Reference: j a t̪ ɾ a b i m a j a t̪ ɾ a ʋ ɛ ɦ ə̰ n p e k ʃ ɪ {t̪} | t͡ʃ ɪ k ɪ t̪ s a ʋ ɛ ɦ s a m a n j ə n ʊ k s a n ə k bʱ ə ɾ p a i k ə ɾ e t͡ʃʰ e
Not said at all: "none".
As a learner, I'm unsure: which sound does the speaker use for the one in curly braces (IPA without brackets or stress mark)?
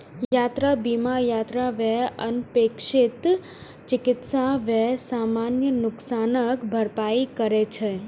t̪